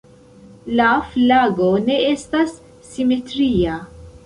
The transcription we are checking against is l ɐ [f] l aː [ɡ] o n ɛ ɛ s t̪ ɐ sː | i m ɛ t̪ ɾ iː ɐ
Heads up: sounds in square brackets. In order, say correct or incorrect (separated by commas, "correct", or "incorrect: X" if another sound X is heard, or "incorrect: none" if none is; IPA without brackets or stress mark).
correct, correct